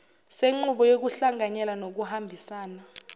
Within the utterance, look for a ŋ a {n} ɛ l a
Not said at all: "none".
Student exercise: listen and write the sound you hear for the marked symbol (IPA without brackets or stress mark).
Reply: ɲ